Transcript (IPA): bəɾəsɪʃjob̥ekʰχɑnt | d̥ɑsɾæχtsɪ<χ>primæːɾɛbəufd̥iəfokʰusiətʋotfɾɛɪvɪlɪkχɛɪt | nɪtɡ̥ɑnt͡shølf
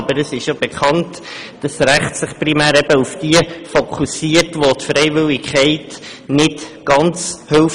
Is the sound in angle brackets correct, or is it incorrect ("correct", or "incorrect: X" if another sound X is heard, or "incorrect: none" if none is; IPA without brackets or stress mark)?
correct